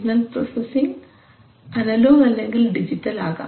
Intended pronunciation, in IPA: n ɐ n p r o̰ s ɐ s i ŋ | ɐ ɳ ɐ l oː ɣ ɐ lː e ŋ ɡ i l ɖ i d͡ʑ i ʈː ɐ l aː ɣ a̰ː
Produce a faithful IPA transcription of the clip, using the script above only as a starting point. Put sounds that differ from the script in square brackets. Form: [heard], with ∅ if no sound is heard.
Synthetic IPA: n ɐ n p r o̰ s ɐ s i ŋ | ɐ [n] ɐ l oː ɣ ɐ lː e ŋ ɡ i l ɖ i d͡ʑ i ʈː ɐ l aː ɣ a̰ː